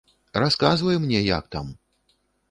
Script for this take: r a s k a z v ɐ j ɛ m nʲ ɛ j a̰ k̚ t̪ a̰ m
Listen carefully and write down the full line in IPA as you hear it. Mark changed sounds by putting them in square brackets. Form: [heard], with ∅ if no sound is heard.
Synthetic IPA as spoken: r a s k a z v ɐ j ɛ m nʲ ɛ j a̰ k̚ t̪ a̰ m